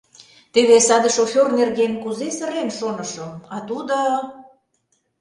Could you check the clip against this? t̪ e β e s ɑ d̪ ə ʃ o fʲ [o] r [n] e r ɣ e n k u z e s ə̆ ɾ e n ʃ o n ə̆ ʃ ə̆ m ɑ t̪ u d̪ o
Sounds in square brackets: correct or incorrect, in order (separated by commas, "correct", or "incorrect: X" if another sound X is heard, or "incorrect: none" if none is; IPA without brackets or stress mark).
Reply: correct, correct